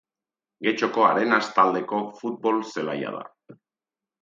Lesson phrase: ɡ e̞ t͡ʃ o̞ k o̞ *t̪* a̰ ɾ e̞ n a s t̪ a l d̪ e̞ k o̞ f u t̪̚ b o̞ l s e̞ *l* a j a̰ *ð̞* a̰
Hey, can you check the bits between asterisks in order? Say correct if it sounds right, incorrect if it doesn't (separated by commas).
incorrect, correct, correct